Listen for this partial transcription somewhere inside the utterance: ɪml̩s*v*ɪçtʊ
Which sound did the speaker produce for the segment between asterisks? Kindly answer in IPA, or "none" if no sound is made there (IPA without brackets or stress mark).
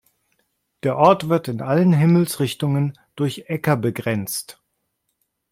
ʁ